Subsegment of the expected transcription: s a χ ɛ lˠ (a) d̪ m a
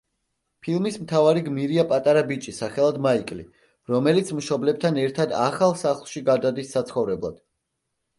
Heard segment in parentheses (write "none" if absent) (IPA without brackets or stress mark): a